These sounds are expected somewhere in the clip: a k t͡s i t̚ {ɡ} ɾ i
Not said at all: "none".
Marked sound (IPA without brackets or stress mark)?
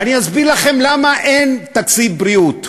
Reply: b